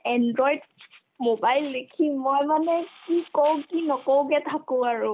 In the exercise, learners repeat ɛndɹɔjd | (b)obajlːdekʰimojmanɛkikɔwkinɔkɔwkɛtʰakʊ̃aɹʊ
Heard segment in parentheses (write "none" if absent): m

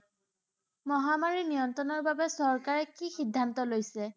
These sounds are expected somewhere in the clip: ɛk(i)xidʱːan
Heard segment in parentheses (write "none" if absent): i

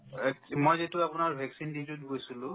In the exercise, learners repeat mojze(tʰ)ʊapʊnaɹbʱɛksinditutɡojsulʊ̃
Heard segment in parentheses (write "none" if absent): t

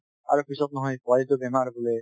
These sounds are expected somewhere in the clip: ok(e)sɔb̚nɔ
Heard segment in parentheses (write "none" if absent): i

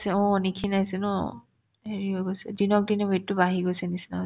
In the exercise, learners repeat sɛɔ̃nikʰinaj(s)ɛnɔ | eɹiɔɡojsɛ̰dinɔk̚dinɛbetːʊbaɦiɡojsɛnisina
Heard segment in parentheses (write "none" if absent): s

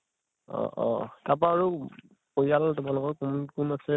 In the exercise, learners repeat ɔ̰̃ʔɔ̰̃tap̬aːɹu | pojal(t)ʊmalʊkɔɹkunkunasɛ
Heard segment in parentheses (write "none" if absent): t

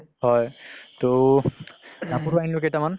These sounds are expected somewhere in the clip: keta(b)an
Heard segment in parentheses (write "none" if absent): m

